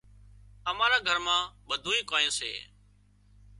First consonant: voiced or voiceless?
voiced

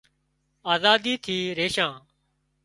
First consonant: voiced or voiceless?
voiced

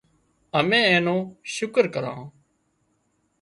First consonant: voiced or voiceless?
voiced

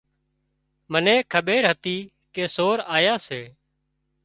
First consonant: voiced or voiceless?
voiced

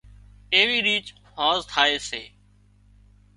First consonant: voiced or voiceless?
voiced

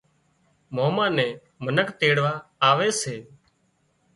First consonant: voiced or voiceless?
voiced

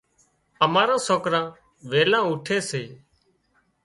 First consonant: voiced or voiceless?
voiced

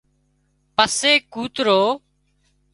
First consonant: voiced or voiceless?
voiceless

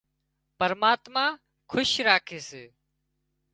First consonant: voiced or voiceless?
voiceless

